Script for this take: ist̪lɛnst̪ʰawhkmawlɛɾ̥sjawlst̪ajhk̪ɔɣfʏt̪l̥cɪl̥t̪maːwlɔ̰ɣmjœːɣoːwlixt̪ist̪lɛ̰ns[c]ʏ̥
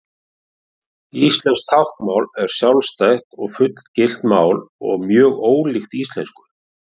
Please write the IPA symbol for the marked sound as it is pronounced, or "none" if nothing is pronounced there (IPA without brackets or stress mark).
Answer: k